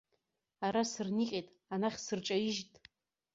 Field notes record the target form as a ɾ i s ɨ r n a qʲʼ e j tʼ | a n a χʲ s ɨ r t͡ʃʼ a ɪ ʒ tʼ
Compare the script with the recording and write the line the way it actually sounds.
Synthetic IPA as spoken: a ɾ a s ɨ r n i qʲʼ e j tʼ | a n a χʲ s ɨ r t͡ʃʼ a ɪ ʒ tʼ